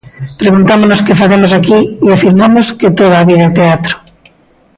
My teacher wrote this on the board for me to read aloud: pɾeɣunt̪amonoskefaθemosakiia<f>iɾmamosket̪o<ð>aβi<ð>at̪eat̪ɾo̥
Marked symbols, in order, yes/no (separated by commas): yes, yes, yes